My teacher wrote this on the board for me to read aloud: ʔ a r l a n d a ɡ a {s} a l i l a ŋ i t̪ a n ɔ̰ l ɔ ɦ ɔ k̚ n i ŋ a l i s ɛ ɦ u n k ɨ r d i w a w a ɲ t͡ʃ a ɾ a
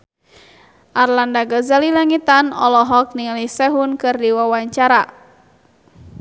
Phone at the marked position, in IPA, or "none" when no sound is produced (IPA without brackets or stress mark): z